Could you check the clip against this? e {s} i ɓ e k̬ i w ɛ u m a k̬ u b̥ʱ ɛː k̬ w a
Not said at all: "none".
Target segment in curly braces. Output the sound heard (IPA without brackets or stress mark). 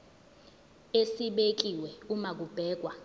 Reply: s